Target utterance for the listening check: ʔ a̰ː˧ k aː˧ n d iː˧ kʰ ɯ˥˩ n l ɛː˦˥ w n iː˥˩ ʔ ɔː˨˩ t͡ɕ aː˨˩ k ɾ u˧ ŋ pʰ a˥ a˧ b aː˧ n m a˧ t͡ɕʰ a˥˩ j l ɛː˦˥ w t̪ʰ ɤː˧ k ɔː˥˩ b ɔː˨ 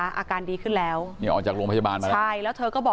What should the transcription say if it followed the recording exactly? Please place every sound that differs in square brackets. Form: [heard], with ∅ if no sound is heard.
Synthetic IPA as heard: ʔ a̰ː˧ k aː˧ n d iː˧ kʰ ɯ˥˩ n l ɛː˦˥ w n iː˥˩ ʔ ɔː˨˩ t͡ɕ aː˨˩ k ɾ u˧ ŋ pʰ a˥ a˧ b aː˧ n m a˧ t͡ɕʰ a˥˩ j l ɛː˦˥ w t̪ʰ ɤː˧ k ɔː˥˩ b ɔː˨